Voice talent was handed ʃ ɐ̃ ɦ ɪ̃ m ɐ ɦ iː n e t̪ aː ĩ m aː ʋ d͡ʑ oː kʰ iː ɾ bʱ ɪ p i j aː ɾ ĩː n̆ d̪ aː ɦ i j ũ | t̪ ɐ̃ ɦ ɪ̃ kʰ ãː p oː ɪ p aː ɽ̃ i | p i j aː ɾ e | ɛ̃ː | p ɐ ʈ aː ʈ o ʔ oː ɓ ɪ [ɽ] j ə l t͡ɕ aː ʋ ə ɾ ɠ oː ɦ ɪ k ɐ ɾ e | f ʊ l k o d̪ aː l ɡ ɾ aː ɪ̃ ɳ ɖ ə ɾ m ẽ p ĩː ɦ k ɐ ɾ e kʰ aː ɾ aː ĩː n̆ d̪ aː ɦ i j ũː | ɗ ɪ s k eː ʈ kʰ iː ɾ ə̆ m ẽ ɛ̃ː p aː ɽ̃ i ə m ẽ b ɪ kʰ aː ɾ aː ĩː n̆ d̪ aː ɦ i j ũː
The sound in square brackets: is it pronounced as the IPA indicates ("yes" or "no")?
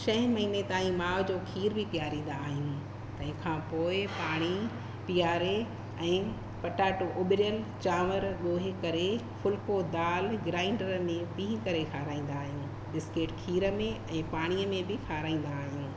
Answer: no